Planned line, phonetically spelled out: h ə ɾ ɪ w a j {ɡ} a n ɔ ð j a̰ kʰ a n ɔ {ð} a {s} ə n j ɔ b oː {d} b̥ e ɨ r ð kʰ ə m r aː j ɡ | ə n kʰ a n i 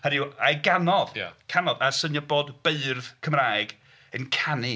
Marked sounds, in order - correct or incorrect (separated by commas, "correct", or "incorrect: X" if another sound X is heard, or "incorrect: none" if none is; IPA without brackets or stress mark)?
correct, correct, correct, correct